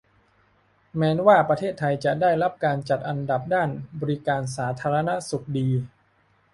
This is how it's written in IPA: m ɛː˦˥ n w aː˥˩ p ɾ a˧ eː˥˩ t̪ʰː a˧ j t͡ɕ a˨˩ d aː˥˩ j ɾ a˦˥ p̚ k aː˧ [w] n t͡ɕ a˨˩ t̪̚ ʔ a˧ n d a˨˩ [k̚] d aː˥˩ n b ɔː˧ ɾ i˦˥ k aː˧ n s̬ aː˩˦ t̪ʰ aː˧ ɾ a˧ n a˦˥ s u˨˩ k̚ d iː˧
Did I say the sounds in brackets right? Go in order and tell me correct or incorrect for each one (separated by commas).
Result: incorrect, incorrect